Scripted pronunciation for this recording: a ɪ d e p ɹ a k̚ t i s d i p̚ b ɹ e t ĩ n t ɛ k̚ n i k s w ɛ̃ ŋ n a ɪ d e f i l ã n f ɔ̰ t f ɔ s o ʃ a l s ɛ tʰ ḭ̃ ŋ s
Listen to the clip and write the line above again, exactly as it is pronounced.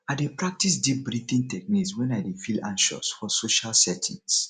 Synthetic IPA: a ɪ d e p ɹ a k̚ t i s d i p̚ b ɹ i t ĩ n t ɛ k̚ n i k s w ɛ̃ n a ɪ d e f i l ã n ʃ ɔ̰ s f ɔ s o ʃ a l s ɛ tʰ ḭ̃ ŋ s